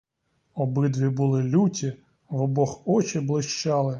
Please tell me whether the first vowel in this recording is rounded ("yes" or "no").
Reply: yes